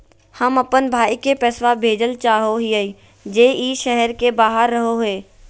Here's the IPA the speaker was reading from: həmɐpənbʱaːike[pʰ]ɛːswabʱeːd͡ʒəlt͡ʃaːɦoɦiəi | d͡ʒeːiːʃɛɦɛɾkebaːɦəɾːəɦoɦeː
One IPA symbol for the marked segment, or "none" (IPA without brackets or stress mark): p